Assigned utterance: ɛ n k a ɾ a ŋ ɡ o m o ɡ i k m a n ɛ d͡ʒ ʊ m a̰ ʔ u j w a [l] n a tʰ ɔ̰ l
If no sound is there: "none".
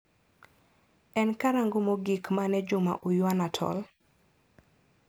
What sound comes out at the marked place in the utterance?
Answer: none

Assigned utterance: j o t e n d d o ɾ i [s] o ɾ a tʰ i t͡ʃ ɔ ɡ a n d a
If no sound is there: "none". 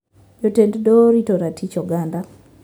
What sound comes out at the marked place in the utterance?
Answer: t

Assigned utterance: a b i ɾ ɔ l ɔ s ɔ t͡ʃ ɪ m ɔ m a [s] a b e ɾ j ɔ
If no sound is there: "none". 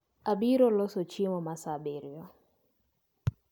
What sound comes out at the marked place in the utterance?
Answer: s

